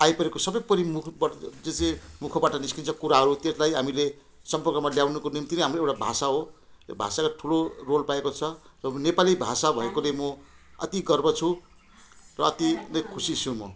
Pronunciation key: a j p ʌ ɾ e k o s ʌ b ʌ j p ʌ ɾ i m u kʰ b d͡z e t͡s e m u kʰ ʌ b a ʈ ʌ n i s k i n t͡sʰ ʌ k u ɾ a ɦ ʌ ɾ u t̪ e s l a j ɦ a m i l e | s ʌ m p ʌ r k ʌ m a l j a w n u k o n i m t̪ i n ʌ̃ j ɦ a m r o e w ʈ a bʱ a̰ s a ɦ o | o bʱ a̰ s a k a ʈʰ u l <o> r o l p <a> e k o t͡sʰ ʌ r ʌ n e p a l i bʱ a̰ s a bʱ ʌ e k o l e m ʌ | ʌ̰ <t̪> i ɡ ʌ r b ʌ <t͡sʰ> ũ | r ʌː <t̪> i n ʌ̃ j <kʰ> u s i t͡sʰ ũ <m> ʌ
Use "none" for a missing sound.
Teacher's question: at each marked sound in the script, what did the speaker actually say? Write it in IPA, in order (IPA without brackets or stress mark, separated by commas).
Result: o, a, t̪, t͡sʰ, t̪, kʰ, m